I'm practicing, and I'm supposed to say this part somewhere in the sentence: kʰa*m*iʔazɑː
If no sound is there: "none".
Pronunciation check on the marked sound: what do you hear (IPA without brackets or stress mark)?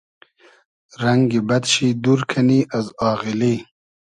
n